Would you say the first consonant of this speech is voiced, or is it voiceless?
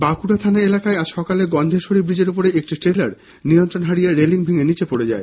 voiced